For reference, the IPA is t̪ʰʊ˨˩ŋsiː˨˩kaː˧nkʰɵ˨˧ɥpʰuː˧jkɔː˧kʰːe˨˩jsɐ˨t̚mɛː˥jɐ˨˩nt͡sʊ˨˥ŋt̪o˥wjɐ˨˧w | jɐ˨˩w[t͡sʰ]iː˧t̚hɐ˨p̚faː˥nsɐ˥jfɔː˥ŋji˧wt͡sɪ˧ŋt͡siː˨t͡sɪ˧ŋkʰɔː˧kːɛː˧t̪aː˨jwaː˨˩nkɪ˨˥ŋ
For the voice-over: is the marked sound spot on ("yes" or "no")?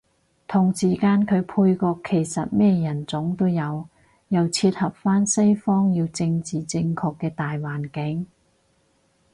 yes